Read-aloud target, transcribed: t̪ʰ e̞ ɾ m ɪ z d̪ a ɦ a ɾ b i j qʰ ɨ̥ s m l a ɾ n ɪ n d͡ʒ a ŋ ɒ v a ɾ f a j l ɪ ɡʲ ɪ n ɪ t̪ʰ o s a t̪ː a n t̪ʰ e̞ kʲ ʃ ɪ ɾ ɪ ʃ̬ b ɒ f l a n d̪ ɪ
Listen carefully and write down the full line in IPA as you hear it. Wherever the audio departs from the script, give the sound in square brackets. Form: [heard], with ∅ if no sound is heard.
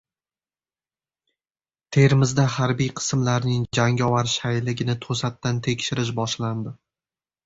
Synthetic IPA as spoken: t̪ʰ e̞ ɾ m ɪ z d̪ a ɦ a ɾ b i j qʰ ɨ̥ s m l a ɾ n ɪ [ŋ] d͡ʒ a ŋ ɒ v a ɾ [ʃ] a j l ɪ ɡʲ ɪ n ɪ t̪ʰ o s a t̪ː a n t̪ʰ e̞ kʲ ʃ ɪ ɾ ɪ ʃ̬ b ɒ [ʃ] l a n d̪ ɪ